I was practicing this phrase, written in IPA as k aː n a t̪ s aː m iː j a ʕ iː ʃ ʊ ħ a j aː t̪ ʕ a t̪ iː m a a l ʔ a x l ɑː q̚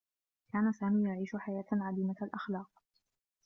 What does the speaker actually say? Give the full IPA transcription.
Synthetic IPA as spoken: k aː n a s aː m iː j a ʕ iː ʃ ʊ ħ a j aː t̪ ʕ a d̪ iː m a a l ʔ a x l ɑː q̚